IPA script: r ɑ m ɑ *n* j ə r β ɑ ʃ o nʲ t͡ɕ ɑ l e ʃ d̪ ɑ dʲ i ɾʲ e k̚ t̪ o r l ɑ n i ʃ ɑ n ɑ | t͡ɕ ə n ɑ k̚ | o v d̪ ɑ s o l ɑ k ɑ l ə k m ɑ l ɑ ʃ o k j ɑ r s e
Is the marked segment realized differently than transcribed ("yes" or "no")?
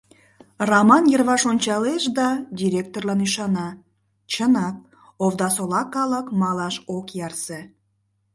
no